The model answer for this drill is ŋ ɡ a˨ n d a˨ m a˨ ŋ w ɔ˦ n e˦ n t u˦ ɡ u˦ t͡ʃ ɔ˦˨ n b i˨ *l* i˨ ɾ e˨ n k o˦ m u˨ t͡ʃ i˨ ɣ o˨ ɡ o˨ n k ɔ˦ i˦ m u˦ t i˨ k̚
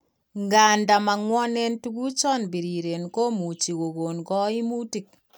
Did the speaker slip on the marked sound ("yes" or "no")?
yes